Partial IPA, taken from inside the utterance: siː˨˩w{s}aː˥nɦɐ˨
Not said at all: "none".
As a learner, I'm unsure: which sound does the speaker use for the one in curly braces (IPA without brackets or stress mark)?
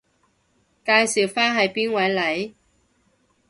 f